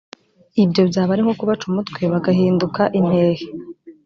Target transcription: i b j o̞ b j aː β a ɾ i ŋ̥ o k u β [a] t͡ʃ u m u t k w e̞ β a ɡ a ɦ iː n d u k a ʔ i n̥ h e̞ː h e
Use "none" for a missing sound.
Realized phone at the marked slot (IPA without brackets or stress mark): a